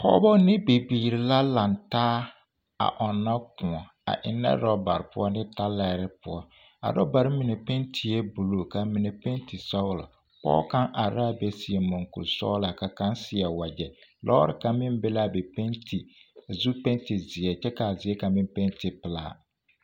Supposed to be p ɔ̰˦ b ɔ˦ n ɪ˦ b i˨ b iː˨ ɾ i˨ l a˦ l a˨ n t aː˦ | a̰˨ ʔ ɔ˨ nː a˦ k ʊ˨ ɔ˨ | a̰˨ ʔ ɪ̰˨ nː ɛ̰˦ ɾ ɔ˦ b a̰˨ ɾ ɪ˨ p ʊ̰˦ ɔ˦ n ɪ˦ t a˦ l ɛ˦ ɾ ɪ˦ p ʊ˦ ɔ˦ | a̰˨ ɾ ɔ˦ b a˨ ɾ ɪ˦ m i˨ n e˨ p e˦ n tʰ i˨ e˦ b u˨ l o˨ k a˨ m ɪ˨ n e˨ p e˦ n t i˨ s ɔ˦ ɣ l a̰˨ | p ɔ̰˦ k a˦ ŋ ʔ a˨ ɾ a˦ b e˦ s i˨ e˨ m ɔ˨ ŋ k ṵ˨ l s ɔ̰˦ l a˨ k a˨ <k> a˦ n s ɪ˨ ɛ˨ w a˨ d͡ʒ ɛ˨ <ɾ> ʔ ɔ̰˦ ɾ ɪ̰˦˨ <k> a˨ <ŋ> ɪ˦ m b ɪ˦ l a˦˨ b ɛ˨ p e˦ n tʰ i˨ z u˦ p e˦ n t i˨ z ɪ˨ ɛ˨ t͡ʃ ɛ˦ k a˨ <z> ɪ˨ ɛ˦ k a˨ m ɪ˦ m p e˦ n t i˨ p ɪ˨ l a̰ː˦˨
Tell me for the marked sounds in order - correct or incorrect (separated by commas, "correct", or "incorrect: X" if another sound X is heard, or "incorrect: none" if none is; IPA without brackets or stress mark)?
correct, incorrect: l, correct, incorrect: m, correct